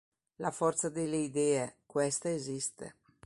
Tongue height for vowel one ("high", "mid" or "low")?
low